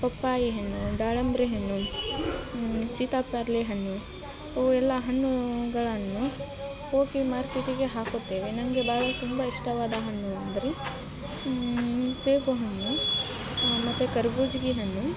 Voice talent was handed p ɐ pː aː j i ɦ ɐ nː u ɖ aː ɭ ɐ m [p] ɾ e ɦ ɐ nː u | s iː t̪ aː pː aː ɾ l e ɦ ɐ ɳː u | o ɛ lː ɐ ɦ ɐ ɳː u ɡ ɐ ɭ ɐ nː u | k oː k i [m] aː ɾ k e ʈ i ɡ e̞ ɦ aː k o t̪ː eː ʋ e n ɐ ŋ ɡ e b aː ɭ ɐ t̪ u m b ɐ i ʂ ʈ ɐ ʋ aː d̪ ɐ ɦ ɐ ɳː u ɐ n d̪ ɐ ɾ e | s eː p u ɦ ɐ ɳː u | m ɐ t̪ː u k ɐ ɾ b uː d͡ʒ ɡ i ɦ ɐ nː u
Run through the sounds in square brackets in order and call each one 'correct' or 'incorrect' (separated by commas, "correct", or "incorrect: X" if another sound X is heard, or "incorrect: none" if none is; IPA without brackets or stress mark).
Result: incorrect: b, correct